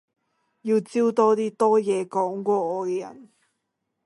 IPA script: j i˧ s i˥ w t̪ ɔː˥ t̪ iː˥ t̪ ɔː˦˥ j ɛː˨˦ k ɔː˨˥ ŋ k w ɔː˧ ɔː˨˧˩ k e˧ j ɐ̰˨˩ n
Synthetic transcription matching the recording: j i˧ t͡s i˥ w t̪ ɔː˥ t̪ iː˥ t̪ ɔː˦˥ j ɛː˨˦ k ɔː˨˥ ŋ k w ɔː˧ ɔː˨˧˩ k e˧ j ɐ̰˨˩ n